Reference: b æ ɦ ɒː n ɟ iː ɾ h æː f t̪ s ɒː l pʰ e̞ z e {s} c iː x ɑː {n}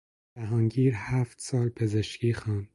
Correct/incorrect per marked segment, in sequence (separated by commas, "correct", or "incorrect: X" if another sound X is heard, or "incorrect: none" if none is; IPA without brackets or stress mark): incorrect: ʃ, correct